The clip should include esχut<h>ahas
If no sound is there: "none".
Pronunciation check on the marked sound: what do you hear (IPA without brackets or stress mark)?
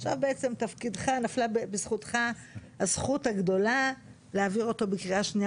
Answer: χ